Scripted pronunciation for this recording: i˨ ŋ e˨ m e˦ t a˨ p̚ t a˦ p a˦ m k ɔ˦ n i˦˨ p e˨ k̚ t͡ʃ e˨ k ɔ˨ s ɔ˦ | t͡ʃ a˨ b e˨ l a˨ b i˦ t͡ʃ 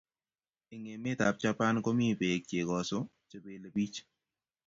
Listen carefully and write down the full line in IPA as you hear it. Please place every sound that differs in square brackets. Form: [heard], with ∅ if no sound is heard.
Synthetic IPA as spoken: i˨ ŋ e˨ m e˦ t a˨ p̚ [t͡ʃ] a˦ p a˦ [n] k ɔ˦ [m] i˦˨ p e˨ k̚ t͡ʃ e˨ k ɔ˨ s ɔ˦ | t͡ʃ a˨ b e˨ l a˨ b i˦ t͡ʃ